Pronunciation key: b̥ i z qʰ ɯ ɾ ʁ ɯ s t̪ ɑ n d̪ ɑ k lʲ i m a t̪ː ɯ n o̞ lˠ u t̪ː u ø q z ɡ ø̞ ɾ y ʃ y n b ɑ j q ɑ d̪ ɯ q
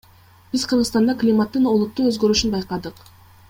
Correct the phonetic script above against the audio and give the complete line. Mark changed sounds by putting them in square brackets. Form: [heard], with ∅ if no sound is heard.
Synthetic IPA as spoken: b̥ i z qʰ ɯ ɾ ʁ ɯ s t̪ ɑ n d̪ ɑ k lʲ i m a t̪ː ɯ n o̞ lˠ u t̪ː u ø [∅] z ɡ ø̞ ɾ y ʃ y n b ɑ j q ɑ d̪ ɯ q